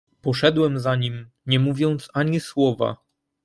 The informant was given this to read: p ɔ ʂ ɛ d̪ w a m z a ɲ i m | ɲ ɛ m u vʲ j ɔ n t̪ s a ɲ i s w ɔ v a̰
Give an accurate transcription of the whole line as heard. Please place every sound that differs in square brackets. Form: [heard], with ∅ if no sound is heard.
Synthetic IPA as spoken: p ɔ ʂ ɛ d̪ w [ɛ] m z a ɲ i m | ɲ ɛ m u vʲ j ɔ n t̪ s a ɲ i s w ɔ v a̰